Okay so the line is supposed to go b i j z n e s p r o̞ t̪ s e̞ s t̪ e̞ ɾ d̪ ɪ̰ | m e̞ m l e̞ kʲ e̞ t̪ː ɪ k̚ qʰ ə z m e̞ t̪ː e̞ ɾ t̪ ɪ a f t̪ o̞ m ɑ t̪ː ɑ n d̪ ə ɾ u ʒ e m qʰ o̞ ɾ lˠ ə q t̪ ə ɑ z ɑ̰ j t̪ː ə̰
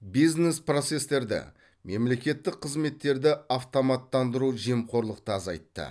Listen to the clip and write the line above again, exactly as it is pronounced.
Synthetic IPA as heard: b i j z n e s p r o̞ t̪ s e̞ s t̪ e̞ ɾ d̪ ɪ̰ | m e̞ m l e̞ kʲ e̞ t̪ː ɪ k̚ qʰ ə z m e̞ t̪ː e̞ ɾ d̪ ɪ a f t̪ o̞ m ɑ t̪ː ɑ n d̪ ə ɾ u ʒ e m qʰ o̞ ɾ lˠ ə q t̪ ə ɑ z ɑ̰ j t̪ː ə̰